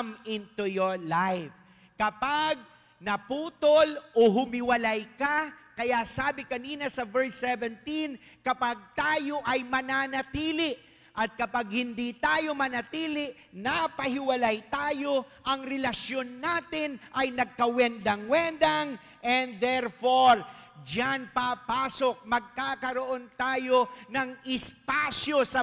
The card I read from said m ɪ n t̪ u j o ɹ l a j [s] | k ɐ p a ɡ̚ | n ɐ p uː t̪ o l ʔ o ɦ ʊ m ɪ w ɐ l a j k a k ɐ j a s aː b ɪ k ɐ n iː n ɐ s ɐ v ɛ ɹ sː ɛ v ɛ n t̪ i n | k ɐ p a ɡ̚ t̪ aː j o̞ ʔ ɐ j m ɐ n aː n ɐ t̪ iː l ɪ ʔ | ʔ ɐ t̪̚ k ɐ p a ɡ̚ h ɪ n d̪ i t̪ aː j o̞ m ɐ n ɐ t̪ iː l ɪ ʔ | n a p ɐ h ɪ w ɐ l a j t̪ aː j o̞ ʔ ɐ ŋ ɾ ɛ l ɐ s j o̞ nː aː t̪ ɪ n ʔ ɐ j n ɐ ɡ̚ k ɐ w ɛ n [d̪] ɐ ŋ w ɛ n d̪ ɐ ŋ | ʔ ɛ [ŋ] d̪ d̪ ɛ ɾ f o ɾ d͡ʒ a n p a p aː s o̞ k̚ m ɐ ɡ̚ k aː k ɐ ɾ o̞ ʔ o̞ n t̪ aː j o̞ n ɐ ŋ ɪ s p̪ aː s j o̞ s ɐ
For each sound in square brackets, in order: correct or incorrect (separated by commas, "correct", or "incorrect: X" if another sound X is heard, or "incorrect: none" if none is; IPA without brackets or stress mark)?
incorrect: f, correct, incorrect: n